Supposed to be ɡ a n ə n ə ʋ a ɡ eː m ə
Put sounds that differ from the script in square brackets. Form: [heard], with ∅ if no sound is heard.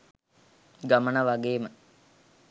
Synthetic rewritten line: ɡ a [m] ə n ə ʋ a ɡ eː m ə